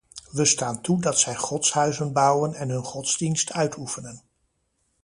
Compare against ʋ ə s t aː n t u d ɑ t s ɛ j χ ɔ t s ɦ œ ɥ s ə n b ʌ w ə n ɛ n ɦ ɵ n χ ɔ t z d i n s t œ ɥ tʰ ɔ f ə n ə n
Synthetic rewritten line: ʋ ə s t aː n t u d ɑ t s ɛ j χ ɔ t s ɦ œ ɥ z ə n b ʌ w ə n ɛ n ɦ ɵ n χ ɔ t z d i n s t œ ɥ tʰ u f ə n ə n